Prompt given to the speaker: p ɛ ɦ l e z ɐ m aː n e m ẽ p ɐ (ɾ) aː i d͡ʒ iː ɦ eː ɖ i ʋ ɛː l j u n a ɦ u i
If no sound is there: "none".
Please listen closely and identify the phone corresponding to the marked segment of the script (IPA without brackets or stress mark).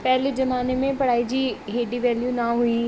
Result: ɽ